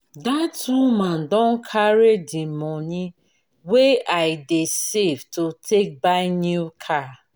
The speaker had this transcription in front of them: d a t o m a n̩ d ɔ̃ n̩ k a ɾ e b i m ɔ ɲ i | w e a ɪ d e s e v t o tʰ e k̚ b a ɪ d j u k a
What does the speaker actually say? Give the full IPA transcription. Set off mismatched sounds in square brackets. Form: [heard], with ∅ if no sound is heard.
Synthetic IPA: d a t [u] m a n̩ d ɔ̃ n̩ [kʰ] a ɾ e [d] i m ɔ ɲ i | w e a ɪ d e s e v t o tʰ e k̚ b a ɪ [n] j u [kʰ] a